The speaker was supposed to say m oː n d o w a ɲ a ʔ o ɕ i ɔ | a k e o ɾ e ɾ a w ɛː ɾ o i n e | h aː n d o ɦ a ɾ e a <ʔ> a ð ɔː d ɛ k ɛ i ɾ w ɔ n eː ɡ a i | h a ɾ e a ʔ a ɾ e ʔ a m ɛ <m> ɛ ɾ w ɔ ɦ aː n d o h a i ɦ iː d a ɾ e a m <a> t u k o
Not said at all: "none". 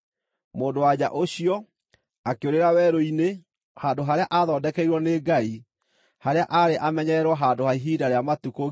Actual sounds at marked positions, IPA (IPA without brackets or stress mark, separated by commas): ʔ, ɲ, a